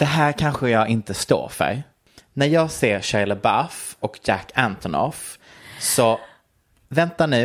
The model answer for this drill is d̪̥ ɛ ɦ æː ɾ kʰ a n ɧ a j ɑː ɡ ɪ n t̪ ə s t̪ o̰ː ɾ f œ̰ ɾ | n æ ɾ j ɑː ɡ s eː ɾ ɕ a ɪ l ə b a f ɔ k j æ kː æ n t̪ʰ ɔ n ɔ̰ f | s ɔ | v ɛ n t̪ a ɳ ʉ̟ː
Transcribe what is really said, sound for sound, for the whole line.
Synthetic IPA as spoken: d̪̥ ɛ ɦ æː ɾ kʰ a n ɧ ə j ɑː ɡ ɪ n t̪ ə s t̪ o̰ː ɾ f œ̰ ɾ | n æ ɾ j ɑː ɡ s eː ɾ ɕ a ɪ l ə b a f ɔ k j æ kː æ n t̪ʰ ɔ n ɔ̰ f | s ɔ | v ɛ n t̪ a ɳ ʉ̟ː